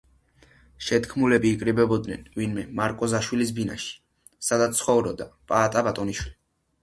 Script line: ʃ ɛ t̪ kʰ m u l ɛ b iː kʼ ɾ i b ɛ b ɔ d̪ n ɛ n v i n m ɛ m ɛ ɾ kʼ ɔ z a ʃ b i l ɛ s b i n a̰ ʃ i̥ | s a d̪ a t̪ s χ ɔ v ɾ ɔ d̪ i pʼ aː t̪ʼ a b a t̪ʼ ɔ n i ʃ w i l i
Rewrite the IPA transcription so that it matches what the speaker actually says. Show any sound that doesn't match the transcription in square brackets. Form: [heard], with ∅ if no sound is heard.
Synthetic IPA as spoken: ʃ ɛ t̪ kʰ m u l ɛ b iː kʼ ɾ i b ɛ b ɔ d̪ n ɛ n v i n m ɛ m [a] ɾ kʼ ɔ z a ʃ [w] i l [i] s b i n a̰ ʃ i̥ | s a d̪ a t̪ s χ ɔ v ɾ ɔ d̪ [a] pʼ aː t̪ʼ a b a t̪ʼ ɔ n i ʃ w i l i